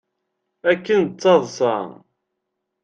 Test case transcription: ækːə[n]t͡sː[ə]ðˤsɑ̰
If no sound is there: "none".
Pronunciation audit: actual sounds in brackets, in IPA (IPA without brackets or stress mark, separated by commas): n, ɑ